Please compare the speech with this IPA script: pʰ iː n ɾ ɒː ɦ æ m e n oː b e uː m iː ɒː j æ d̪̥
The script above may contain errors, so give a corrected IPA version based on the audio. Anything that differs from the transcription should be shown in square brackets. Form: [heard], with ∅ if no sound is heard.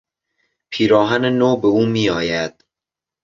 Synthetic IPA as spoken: pʰ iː [∅] ɾ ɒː ɦ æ [n] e n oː b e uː m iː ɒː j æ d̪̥